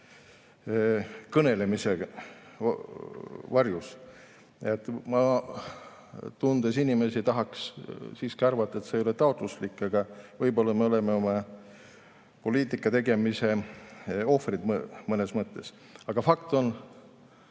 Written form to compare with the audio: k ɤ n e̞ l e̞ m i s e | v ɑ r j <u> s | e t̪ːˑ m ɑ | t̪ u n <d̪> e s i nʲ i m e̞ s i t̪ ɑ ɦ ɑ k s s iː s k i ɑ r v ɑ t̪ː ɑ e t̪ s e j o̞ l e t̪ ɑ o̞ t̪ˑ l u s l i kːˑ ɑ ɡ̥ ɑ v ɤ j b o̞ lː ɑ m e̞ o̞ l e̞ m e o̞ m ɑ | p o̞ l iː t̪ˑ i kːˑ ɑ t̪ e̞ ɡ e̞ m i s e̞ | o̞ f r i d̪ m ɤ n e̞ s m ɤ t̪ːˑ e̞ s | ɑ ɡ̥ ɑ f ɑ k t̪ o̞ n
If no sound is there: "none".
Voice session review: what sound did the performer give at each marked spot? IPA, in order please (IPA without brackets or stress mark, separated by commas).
u, d̪